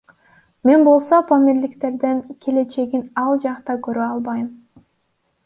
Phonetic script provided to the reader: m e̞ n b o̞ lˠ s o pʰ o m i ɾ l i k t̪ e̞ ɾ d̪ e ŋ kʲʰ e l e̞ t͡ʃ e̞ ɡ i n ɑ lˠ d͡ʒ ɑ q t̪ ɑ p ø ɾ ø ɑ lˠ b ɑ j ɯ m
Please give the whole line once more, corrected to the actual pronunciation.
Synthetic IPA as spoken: m e̞ n b o̞ lˠ s o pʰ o m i ɾ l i k t̪ e̞ ɾ d̪ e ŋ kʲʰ e l e̞ t͡ʃ e̞ ɡ i n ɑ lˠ d͡ʒ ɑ q t̪ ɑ k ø ɾ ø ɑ lˠ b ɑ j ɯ m